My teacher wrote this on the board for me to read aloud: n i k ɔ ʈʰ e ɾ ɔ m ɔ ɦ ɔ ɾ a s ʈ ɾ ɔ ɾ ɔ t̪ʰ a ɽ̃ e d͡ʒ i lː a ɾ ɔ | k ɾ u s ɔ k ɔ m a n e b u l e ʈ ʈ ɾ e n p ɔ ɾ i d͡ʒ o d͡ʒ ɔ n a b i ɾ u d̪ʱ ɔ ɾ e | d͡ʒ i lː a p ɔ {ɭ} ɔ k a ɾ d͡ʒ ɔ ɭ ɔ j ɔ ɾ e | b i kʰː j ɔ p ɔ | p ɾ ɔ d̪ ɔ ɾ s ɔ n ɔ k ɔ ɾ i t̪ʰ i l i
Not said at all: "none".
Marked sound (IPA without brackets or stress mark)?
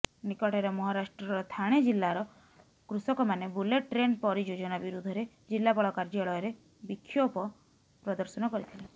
ɭ